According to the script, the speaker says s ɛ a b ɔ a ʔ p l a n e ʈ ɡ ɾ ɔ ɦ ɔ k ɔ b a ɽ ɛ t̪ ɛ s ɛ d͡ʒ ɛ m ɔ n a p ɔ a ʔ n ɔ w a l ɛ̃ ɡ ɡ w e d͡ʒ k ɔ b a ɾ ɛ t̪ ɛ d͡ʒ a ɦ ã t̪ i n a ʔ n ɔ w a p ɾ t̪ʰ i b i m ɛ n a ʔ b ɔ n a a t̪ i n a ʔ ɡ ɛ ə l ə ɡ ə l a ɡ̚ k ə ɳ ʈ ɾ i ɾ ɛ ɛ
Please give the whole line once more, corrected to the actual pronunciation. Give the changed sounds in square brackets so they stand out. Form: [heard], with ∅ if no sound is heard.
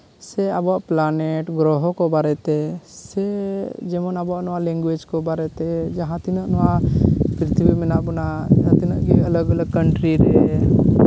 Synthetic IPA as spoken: s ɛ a b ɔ a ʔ p l a n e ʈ ɡ ɾ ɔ ɦ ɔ k ɔ b a [ɾ] ɛ t̪ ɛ s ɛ d͡ʒ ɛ m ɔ n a [b] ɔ a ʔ n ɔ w a l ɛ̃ [ŋ] ɡ w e d͡ʒ k ɔ b a ɾ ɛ t̪ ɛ d͡ʒ a ɦ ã t̪ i n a ʔ n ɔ w a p ɾ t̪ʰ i b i m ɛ n a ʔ b ɔ n a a t̪ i n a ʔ ɡ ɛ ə l ə ɡ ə l [ə] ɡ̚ k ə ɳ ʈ ɾ i ɾ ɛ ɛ